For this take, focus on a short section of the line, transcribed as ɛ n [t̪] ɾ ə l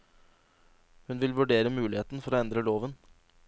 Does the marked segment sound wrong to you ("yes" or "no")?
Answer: yes